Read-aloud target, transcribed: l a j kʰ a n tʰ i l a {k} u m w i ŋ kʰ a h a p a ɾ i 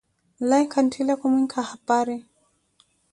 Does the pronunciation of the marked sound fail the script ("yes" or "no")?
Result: no